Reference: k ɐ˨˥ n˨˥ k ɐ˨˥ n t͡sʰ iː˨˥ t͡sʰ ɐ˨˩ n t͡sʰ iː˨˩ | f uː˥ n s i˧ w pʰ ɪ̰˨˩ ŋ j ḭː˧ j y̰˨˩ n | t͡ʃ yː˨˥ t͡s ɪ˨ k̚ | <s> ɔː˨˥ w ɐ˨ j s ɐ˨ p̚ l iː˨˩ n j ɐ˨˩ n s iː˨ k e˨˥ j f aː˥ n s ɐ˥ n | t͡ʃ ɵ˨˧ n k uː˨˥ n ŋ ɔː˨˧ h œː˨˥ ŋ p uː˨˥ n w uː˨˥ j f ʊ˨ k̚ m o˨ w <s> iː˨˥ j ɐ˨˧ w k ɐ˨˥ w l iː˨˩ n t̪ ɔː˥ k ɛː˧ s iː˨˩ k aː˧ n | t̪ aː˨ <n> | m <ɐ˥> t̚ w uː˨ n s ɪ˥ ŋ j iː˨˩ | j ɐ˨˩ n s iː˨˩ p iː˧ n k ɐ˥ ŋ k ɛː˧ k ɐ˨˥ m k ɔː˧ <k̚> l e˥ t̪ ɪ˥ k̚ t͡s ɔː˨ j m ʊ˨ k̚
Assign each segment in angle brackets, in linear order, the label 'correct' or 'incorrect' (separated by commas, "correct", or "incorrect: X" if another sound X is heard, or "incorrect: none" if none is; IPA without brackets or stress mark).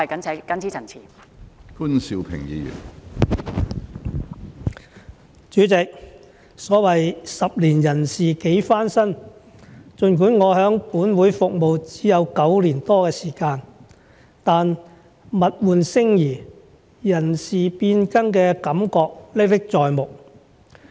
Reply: correct, incorrect: t͡s, correct, incorrect: ɐ˨, correct